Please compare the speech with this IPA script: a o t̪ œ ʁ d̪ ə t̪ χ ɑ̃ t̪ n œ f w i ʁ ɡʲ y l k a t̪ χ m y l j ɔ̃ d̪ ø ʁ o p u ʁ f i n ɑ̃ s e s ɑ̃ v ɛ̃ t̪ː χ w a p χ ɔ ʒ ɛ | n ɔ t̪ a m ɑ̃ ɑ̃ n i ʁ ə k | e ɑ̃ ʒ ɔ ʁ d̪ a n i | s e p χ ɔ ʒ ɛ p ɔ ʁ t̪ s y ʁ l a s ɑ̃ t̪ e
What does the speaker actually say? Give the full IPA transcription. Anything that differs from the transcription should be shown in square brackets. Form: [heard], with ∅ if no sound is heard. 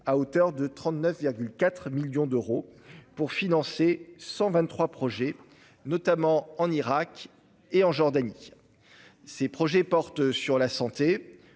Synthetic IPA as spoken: a o t̪ œ ʁ d̪ ə t̪ χ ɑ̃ t̪ n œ f [v] i ʁ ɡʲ y l k a t̪ χ m [i] l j ɔ̃ d̪ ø ʁ o p u ʁ f i n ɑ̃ s e s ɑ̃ v ɛ̃ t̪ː χ w a p χ ɔ ʒ ɛ | n ɔ t̪ a m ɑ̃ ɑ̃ n i ʁ [a] k | e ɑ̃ ʒ ɔ ʁ d̪ a n i | s e p χ ɔ ʒ ɛ p ɔ ʁ t̪ s y ʁ l a s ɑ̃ t̪ e

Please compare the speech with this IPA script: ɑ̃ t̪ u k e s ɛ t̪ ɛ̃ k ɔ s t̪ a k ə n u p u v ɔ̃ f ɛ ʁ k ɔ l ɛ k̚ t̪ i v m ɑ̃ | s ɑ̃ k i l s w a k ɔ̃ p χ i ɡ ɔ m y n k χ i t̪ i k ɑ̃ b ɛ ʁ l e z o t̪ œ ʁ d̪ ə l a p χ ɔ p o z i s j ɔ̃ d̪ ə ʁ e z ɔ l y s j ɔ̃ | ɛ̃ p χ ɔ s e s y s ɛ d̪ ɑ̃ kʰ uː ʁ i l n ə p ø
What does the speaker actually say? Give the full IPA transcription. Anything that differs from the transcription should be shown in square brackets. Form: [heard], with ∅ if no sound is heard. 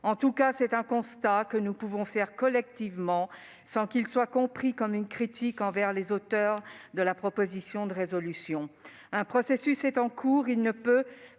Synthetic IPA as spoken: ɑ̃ t̪ u k [a] s ɛ t̪ ɛ̃ k [ɔ̃] s t̪ a k ə n u p u v ɔ̃ f ɛ ʁ k ɔ l ɛ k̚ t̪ i v m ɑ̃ | s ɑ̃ k i l s w a k ɔ̃ p χ i [k] ɔ m y n k χ i t̪ i k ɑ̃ [v] ɛ ʁ l e z o t̪ œ ʁ d̪ ə l a p χ ɔ p o z i s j ɔ̃ d̪ ə ʁ e z ɔ l y s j ɔ̃ | ɛ̃ p χ ɔ s e s y s ɛ [t̪] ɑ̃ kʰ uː ʁ i l n ə p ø

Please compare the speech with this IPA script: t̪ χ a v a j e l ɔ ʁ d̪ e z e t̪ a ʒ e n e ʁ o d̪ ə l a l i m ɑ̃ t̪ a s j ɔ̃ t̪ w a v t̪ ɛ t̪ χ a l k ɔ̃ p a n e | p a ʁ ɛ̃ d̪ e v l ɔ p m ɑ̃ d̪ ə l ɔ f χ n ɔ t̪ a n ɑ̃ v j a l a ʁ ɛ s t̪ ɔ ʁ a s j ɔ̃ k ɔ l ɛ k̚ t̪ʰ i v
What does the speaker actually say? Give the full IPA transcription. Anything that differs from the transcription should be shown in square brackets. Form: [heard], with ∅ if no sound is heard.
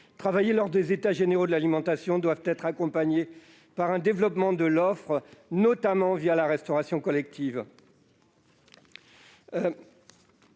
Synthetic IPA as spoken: t̪ χ a v a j e l ɔ ʁ d̪ e z e t̪ a ʒ e n e ʁ o d̪ ə l a l i m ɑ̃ t̪ a s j ɔ̃ [d̪] w a v t̪ ɛ t̪ χ a [∅] k ɔ̃ p a [ɲ] e | p a ʁ ɛ̃ d̪ e v l ɔ p m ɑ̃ d̪ ə l ɔ f χ n ɔ t̪ a [m] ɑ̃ v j a l a ʁ ɛ s t̪ ɔ ʁ a s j ɔ̃ k ɔ l ɛ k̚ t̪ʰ i v

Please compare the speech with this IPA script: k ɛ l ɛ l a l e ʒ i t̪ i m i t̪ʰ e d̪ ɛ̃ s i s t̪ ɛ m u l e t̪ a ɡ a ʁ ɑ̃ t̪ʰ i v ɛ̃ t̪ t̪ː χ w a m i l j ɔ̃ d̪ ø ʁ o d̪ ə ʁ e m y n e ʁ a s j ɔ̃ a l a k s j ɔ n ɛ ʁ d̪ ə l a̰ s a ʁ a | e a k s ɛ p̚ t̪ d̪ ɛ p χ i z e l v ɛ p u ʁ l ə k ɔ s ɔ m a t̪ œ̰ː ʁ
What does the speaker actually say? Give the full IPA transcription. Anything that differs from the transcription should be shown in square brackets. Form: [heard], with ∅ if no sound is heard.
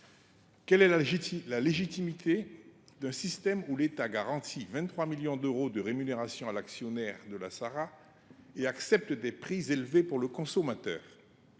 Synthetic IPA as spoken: k ɛ l ɛ l a l e ʒ i t̪ i m i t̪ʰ e d̪ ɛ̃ s i s t̪ ɛ m u l e t̪ a ɡ a ʁ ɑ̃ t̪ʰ i v ɛ̃ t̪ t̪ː χ w a m i l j ɔ̃ d̪ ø ʁ o d̪ ə ʁ e m y n e ʁ a s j ɔ̃ a l a k s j ɔ n ɛ ʁ d̪ ə l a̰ s a ʁ a | e a k s ɛ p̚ t̪ d̪ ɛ p χ i z e l v [e] p u ʁ l ə k [ɔ̃] s ɔ m a t̪ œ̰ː ʁ

